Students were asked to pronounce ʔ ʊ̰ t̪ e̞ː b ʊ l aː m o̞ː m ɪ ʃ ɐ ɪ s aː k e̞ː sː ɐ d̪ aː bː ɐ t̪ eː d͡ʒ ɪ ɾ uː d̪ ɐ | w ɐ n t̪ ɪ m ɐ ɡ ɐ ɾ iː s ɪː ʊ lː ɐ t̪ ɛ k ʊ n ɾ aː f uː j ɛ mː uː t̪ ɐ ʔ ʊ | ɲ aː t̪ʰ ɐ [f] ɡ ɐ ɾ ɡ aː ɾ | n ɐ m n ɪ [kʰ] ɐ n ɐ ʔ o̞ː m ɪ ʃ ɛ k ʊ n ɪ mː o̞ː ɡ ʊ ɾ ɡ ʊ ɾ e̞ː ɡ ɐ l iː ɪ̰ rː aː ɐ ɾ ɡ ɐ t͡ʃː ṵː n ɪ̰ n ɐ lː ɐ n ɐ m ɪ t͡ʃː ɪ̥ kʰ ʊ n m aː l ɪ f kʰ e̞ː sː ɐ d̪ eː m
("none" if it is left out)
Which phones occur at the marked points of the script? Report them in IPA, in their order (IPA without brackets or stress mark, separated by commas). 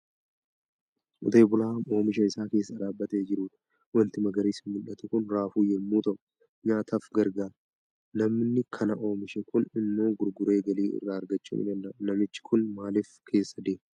f, kʰ